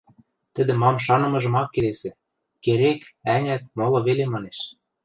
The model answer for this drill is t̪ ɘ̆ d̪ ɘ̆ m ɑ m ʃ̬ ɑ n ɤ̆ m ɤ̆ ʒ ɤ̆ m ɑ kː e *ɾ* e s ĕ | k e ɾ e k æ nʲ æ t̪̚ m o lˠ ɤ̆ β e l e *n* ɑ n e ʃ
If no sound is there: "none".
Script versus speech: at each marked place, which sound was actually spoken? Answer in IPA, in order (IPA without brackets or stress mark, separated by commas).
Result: l, m